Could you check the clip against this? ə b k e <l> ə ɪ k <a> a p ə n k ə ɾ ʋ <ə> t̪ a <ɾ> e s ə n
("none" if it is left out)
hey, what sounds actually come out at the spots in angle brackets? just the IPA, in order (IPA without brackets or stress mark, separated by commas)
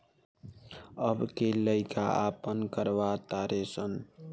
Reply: l, a, a, ɾ